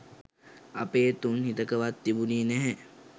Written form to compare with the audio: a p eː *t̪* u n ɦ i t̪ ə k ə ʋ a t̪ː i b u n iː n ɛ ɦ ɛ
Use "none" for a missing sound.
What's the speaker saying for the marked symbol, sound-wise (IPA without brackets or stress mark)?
t̪